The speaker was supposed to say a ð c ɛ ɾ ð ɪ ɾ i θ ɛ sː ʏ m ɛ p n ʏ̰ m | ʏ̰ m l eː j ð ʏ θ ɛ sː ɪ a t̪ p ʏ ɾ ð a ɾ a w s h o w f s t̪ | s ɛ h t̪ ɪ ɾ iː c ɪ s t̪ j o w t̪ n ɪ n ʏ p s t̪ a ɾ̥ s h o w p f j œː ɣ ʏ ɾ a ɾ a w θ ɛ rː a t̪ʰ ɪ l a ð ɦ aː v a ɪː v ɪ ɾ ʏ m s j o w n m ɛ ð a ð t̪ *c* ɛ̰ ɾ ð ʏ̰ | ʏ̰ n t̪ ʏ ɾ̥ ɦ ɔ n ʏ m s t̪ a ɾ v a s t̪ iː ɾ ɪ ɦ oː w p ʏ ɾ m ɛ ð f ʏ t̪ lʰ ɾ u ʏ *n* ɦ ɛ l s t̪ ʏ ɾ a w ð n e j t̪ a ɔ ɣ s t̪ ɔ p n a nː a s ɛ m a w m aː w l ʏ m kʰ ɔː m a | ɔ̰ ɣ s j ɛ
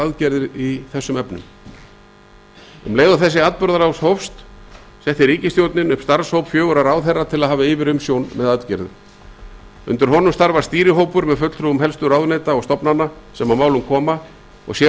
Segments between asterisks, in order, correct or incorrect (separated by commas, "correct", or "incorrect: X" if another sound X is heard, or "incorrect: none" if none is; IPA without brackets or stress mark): correct, incorrect: m